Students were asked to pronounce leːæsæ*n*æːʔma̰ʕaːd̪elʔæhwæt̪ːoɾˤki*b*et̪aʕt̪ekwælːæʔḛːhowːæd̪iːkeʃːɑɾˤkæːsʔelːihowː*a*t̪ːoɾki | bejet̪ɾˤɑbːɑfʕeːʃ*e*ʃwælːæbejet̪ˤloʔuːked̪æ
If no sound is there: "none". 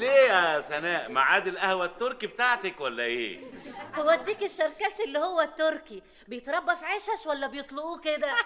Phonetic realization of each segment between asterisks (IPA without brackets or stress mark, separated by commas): n, b, æ, æ